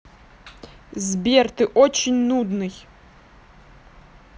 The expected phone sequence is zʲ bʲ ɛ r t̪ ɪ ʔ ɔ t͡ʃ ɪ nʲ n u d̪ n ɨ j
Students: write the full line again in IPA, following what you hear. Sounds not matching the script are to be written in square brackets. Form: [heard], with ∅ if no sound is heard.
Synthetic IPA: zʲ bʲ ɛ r t̪ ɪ ʔ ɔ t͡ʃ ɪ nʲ n u d̪ n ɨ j